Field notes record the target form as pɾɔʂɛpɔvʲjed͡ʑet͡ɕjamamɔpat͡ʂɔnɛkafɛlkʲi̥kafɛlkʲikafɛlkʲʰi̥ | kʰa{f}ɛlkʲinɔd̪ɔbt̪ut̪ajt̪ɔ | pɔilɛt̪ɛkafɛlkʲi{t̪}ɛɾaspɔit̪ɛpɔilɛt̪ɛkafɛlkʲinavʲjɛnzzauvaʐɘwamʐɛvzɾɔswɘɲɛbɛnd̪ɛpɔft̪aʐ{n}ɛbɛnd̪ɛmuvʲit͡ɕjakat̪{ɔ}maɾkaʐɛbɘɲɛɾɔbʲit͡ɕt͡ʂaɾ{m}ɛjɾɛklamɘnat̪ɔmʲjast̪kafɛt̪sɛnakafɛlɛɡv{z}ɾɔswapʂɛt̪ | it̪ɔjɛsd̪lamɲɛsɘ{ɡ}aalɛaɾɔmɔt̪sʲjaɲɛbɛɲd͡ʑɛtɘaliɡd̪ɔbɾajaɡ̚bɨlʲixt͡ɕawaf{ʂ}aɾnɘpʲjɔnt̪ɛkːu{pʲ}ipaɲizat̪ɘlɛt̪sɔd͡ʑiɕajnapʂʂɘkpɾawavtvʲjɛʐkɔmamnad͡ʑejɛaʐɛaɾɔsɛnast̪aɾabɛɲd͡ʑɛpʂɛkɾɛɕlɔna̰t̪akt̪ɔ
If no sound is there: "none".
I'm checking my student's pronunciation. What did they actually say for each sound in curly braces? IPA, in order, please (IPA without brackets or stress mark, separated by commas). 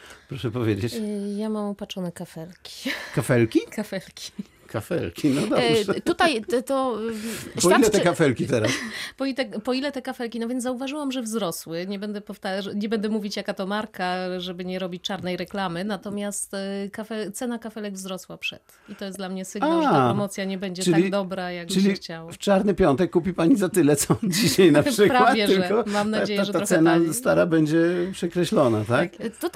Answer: f, t̪, ɲ, ɔ, n, z, ɡ, t͡ʂ, pʲ